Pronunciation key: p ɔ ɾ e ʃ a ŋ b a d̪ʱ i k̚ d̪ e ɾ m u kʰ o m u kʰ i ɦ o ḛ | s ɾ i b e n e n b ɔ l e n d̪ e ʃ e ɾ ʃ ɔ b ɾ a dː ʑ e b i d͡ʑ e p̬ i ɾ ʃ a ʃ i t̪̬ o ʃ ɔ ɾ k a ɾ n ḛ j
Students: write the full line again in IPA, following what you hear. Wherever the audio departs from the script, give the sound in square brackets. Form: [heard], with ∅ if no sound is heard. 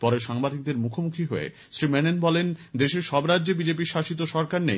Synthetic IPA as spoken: p ɔ ɾ e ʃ a ŋ b a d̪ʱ i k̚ d̪ e ɾ m u kʰ o m u kʰ i ɦ o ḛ | s ɾ i [m] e n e n b ɔ l e n d̪ e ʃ e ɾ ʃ ɔ b ɾ a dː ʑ e b i d͡ʑ e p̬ i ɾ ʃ a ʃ i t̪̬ o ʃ ɔ ɾ k a ɾ n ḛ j